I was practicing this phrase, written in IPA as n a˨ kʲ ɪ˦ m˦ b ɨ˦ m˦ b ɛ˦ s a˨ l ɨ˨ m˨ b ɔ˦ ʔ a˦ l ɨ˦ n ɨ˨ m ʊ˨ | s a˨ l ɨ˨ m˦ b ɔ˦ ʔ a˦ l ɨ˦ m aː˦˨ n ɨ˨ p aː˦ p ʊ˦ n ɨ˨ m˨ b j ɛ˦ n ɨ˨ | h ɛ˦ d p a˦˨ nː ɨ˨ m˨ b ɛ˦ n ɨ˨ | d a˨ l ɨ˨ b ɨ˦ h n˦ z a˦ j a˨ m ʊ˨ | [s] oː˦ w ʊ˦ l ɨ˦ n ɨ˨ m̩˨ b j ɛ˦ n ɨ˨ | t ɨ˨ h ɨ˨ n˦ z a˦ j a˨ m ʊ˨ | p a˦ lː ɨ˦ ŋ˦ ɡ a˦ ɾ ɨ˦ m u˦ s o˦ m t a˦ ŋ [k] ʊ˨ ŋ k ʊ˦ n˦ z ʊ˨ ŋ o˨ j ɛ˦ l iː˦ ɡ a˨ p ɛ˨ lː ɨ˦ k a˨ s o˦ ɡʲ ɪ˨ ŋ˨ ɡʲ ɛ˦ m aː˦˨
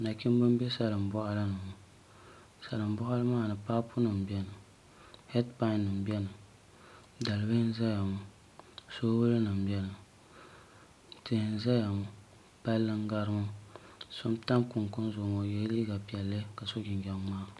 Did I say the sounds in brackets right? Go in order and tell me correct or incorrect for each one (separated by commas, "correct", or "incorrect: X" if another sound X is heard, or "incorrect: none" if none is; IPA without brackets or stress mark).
correct, correct